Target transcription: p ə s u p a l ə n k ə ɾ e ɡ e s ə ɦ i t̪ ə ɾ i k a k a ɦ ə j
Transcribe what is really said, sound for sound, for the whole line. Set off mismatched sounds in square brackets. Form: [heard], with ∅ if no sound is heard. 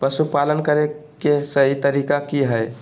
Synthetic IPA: p ə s u p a l ə n k ə ɾ e [k] e s ə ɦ i t̪ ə ɾ i k a k [i] ɦ ə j